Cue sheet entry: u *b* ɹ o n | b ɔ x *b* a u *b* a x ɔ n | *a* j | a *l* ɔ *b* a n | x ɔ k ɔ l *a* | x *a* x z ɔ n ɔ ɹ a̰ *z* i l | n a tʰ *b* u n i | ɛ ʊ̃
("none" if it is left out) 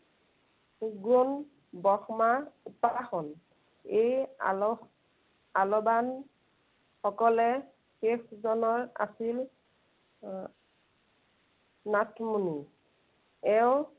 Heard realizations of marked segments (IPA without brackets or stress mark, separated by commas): ɡ, m, p, e, l, b, ɛ, e, s, m